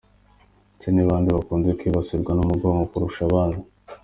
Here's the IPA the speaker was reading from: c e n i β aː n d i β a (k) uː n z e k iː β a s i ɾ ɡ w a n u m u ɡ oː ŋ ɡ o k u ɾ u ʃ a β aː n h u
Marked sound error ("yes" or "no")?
no